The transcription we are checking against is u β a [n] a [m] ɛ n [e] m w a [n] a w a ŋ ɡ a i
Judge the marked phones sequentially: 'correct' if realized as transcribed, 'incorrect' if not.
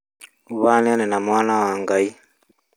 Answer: correct, incorrect: n, incorrect: a, correct

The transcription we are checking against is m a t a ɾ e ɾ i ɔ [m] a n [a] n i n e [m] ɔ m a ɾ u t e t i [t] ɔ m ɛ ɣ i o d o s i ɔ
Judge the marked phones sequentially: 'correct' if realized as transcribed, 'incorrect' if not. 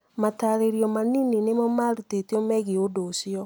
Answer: correct, incorrect: i, correct, incorrect: none

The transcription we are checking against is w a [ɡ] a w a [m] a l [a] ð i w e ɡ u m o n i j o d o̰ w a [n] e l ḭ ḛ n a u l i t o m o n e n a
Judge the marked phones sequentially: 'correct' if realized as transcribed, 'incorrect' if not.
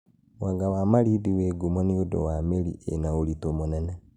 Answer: correct, correct, incorrect: i, incorrect: m

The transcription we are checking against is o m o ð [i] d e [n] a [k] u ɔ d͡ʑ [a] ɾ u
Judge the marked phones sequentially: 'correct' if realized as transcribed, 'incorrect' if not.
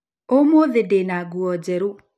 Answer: incorrect: e, correct, incorrect: ɡ, incorrect: ɛ

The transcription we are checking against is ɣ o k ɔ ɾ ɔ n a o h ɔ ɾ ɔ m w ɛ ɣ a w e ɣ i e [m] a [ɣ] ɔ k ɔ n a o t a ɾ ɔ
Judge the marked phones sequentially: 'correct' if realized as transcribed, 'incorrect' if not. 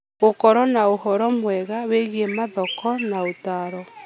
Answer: correct, incorrect: ð

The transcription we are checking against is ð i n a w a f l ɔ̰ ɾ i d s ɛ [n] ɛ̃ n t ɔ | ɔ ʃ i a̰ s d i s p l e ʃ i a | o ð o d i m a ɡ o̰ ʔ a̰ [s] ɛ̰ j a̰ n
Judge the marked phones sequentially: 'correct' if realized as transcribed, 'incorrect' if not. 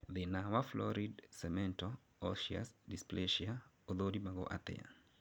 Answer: incorrect: m, incorrect: t

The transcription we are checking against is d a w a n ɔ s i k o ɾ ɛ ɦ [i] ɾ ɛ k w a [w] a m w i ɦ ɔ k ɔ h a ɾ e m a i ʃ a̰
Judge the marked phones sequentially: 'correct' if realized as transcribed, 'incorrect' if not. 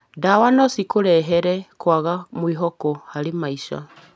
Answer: incorrect: ɛ, incorrect: ɣ

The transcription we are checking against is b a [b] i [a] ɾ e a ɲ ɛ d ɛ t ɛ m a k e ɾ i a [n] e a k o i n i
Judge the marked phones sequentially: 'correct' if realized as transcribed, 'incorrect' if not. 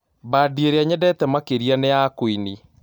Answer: incorrect: d, incorrect: e, correct

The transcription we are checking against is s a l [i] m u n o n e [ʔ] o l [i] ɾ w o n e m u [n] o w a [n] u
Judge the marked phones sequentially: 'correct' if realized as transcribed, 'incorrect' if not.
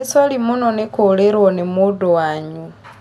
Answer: correct, incorrect: k, incorrect: e, incorrect: d, incorrect: ɲ

